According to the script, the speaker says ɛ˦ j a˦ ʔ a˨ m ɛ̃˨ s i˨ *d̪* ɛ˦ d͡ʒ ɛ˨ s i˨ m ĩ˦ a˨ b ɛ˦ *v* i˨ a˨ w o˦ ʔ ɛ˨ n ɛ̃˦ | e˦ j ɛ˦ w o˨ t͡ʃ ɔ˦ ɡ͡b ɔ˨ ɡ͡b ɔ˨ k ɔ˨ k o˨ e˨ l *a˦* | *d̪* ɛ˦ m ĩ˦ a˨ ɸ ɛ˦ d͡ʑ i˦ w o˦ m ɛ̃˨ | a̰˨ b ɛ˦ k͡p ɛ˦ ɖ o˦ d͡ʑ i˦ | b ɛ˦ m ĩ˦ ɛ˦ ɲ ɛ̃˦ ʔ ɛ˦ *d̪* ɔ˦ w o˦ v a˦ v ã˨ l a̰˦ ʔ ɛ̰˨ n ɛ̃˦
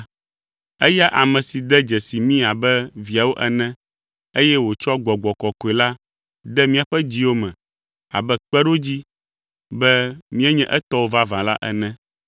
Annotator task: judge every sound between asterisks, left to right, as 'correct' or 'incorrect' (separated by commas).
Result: correct, correct, correct, correct, incorrect